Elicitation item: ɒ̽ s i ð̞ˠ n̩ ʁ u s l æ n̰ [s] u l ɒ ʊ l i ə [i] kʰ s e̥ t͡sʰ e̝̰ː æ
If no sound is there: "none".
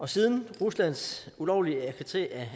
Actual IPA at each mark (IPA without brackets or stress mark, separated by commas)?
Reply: s, æ